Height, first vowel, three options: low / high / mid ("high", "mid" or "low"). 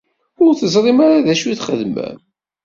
high